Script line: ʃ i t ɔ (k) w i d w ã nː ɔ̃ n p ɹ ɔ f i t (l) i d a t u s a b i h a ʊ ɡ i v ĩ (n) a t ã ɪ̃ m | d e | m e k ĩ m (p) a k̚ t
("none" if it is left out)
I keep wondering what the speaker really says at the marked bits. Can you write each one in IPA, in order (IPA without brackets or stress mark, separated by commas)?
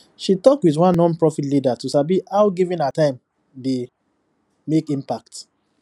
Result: k, l, n, p